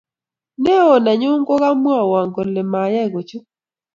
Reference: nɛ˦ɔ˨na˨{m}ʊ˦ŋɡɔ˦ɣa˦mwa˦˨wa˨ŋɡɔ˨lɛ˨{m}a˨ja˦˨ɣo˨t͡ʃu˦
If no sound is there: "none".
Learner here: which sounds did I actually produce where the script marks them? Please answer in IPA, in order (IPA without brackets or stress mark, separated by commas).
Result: ɲ, m